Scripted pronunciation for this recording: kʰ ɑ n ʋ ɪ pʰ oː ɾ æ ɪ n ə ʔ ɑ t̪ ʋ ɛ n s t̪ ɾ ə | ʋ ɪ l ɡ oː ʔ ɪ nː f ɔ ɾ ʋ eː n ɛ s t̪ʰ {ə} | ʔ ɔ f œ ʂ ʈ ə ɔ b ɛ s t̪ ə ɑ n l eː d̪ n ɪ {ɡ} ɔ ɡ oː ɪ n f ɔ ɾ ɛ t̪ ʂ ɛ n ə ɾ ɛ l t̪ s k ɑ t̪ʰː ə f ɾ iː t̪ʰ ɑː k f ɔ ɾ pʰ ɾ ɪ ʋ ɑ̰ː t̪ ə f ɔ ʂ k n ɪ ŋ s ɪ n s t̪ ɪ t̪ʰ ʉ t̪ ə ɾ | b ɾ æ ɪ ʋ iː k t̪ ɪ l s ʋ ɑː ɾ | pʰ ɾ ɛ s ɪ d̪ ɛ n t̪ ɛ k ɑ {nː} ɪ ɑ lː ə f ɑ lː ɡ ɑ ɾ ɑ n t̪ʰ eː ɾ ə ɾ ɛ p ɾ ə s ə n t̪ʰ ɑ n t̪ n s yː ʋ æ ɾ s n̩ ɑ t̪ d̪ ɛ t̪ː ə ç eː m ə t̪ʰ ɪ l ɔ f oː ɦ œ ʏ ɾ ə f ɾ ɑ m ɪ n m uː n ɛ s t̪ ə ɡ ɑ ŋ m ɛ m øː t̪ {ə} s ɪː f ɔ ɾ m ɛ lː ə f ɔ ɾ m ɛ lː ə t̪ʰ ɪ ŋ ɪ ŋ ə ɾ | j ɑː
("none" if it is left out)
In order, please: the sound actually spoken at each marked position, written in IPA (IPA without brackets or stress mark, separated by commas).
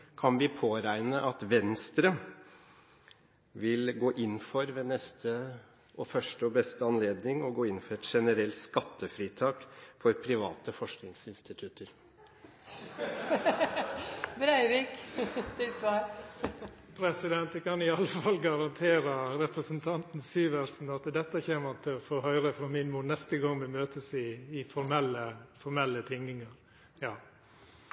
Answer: ə, ŋ, n, ə